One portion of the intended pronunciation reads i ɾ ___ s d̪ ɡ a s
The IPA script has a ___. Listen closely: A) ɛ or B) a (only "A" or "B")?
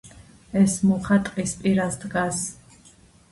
B